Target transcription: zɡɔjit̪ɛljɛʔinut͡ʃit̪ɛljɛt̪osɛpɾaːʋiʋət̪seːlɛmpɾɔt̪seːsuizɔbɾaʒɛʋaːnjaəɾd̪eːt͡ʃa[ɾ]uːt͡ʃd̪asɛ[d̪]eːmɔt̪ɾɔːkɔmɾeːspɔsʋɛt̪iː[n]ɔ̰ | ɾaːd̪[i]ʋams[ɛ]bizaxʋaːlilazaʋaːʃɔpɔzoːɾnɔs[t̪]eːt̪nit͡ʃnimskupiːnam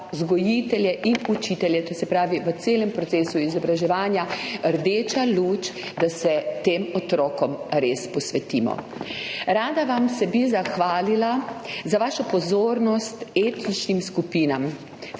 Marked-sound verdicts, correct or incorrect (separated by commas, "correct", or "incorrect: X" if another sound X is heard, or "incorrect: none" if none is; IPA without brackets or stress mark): incorrect: l, incorrect: t̪, incorrect: m, incorrect: a, correct, correct